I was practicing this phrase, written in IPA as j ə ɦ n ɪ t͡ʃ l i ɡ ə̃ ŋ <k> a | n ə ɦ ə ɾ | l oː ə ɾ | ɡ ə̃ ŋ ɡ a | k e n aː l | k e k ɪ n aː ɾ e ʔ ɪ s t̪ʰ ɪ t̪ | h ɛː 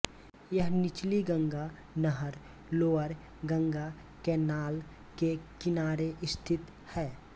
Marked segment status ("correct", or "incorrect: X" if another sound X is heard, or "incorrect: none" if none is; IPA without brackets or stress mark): incorrect: ɡ